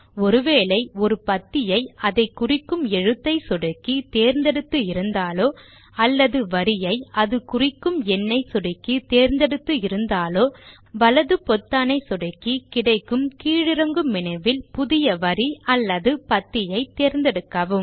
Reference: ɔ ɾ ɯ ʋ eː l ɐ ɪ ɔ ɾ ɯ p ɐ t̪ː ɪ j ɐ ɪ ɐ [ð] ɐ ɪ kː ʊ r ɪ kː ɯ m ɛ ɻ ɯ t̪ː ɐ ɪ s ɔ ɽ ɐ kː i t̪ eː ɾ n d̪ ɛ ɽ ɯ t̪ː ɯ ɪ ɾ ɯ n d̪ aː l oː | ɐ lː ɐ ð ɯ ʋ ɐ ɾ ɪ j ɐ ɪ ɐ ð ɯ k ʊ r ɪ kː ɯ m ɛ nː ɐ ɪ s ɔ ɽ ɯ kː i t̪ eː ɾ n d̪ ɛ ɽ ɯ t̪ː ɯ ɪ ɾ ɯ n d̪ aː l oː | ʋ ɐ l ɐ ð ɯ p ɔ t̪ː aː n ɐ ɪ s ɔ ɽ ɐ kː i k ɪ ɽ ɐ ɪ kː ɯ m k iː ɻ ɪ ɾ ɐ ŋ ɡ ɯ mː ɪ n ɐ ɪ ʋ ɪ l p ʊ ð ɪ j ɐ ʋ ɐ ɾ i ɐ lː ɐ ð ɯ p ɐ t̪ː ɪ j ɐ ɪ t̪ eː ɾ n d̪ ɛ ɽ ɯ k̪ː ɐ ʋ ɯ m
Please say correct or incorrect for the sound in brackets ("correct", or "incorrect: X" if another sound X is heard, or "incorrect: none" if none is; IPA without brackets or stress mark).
correct